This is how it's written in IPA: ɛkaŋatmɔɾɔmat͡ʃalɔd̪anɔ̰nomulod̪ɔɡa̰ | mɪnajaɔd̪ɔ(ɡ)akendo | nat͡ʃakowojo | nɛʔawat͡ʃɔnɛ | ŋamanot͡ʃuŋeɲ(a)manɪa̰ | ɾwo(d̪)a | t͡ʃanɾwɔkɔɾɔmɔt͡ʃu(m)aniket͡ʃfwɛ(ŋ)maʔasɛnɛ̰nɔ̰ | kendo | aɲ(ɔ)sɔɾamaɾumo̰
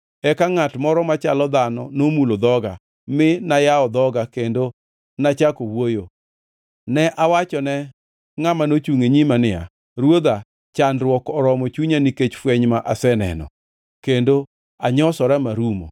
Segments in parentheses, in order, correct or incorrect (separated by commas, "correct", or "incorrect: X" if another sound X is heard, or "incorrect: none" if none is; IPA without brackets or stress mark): correct, incorrect: i, correct, incorrect: ɲ, incorrect: ɲ, correct